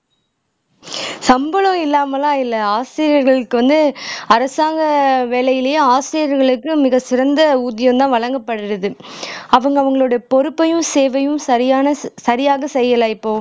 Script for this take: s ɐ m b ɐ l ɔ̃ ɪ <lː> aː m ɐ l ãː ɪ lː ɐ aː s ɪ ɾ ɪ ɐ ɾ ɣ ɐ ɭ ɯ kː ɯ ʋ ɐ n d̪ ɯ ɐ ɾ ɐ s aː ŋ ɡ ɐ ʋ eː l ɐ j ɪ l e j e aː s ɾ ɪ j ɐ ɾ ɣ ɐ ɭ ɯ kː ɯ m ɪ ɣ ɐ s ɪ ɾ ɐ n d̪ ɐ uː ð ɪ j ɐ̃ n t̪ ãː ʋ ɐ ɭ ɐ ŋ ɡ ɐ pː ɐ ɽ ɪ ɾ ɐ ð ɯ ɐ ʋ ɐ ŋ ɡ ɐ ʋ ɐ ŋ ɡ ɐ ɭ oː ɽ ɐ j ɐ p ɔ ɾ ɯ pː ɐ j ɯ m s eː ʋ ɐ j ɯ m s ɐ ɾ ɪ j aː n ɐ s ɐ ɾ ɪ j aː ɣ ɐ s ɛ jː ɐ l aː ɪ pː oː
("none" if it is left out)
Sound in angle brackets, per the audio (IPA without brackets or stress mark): lː